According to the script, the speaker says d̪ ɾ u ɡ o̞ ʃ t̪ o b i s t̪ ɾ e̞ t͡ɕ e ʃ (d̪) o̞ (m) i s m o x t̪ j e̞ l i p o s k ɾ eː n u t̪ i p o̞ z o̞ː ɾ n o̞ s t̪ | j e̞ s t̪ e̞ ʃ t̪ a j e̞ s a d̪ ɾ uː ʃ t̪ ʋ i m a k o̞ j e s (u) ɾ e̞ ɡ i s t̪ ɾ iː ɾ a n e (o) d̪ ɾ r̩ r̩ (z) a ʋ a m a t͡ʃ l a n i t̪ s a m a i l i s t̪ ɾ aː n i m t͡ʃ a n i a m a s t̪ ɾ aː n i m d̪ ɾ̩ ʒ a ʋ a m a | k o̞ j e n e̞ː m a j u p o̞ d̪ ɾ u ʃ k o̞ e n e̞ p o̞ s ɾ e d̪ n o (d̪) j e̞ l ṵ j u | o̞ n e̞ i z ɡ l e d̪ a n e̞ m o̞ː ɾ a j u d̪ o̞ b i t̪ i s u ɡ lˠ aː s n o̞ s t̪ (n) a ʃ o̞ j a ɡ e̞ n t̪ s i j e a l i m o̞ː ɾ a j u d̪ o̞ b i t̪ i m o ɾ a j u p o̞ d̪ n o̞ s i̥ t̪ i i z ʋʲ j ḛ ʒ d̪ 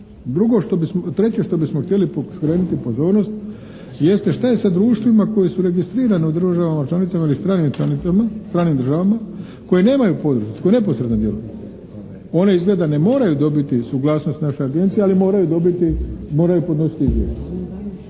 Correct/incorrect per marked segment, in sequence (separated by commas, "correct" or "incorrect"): incorrect, incorrect, correct, incorrect, incorrect, correct, correct